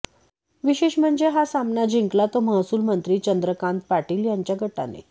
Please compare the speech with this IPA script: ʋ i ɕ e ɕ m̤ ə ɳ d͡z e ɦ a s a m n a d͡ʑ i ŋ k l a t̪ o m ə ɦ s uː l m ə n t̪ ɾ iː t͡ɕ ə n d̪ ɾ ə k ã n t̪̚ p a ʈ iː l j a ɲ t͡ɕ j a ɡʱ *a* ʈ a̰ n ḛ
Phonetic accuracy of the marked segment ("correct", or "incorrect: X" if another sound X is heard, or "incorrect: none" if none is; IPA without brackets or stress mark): incorrect: ə